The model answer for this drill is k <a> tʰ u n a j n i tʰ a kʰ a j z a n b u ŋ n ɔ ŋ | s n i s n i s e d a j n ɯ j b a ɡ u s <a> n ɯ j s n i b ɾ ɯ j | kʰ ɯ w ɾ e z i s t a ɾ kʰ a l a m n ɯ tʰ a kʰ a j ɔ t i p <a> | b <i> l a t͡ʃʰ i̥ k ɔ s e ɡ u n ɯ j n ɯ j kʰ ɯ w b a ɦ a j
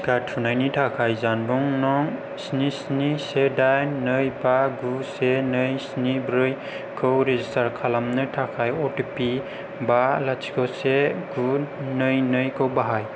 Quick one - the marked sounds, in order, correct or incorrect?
correct, incorrect: e, incorrect: i, incorrect: a

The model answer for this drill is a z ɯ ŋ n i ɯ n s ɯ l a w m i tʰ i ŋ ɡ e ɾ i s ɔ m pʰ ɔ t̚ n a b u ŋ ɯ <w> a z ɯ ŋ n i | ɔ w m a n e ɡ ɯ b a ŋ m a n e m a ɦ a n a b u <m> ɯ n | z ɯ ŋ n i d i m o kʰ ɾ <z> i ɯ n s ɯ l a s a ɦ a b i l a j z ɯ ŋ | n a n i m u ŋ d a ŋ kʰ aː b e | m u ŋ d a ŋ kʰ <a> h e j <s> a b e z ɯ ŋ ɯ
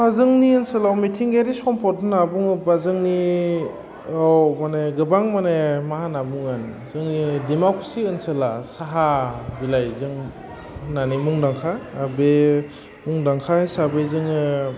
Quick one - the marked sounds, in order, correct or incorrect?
incorrect: b, incorrect: ŋ, incorrect: s, correct, correct

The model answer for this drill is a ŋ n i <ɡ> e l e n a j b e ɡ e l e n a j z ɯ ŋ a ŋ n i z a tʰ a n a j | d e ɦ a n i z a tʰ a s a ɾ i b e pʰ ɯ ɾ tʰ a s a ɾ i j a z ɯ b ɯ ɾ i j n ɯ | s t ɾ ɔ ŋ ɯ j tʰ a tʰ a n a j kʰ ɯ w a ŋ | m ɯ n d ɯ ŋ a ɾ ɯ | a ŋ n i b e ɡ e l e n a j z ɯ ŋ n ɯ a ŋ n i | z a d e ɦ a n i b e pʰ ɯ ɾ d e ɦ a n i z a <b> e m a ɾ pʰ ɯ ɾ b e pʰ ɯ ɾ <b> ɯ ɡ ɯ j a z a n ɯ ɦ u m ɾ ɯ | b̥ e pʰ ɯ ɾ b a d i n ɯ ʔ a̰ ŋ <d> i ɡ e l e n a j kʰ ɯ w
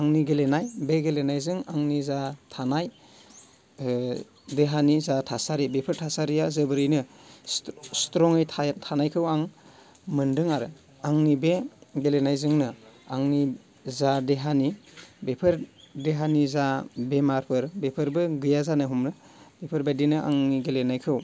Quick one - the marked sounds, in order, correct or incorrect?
correct, correct, correct, incorrect: n

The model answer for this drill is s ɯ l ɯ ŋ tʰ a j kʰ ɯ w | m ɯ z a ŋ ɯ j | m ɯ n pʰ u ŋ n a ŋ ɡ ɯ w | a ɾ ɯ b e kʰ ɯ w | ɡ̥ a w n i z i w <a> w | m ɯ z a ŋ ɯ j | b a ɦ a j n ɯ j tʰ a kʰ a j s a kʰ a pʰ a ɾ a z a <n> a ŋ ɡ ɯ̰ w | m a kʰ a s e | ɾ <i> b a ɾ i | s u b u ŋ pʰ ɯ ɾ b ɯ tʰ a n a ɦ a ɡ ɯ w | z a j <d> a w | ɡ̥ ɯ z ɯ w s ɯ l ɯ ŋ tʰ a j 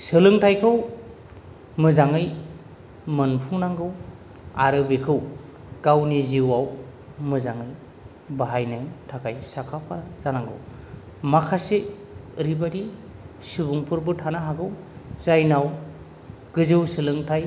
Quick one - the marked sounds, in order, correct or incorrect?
correct, correct, correct, incorrect: n

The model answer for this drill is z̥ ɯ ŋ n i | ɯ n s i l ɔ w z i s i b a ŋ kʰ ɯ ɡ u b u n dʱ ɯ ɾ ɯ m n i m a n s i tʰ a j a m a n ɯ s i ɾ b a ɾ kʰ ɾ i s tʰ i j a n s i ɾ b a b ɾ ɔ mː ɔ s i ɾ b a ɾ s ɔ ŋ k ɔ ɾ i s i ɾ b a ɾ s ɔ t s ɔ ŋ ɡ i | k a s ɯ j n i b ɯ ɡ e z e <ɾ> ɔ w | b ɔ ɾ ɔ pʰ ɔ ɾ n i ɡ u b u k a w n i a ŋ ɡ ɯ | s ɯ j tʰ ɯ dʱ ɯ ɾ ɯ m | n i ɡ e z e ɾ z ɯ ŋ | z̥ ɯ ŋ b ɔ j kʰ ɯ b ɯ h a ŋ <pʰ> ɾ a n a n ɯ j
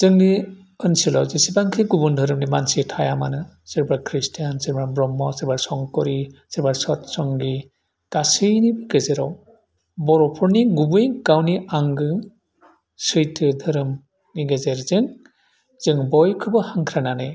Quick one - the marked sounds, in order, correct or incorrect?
correct, incorrect: kʰ

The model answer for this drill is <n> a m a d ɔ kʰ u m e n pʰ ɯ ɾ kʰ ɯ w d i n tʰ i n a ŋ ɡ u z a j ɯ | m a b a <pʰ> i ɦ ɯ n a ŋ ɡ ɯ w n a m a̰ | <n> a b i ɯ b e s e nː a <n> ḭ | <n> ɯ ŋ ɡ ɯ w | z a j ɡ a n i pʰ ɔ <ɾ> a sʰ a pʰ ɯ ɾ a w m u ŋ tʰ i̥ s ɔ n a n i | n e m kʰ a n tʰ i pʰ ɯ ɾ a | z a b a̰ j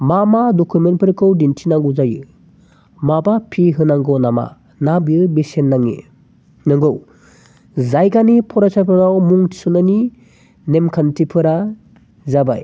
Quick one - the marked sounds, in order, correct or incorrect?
incorrect: m, correct, correct, incorrect: ŋ, correct, correct

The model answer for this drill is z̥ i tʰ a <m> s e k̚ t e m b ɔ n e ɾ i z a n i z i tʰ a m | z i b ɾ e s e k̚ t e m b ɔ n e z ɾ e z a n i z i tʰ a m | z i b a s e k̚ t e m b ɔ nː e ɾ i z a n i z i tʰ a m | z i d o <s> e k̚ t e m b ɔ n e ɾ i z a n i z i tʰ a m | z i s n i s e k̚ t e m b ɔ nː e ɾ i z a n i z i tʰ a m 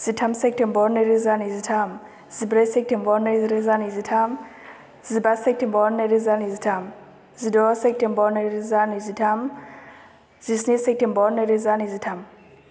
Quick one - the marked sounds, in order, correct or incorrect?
correct, correct

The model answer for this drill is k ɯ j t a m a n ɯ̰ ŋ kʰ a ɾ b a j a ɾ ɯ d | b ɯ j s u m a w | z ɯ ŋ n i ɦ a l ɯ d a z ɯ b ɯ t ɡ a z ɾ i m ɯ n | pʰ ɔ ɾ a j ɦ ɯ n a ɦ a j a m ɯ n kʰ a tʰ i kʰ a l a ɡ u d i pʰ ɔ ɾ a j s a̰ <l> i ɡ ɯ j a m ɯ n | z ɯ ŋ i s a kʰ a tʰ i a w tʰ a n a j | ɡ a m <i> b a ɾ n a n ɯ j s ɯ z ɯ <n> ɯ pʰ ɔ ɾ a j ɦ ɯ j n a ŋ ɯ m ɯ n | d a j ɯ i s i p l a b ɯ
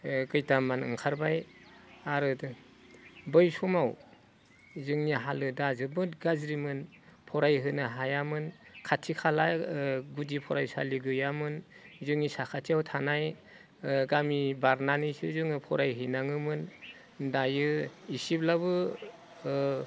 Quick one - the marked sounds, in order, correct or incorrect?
correct, correct, incorrect: ŋ

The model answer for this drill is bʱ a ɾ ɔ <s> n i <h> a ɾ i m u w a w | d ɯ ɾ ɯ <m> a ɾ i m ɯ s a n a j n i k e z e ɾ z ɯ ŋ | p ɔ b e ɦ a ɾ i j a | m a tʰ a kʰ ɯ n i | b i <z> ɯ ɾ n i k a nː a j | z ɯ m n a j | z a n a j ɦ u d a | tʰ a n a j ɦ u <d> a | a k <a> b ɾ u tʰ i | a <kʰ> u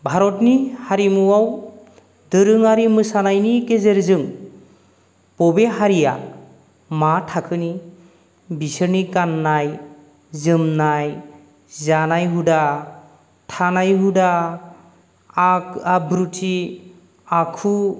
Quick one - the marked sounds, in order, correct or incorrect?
incorrect: t, correct, incorrect: ŋ, incorrect: s, correct, correct, correct

